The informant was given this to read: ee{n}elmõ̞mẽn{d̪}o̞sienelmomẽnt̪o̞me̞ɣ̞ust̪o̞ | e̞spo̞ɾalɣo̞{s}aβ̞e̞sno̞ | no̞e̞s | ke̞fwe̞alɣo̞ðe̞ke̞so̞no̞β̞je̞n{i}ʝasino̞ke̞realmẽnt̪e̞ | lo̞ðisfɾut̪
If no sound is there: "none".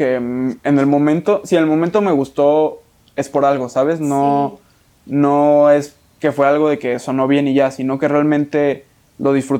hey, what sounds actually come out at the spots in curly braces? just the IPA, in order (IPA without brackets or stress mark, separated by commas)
n, t̪, s, i